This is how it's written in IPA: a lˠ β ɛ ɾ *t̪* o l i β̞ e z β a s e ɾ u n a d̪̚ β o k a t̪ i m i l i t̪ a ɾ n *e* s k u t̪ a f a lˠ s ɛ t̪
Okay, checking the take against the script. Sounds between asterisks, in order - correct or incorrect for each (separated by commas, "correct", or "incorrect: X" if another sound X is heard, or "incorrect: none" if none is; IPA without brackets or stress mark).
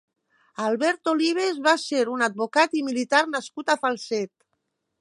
correct, incorrect: a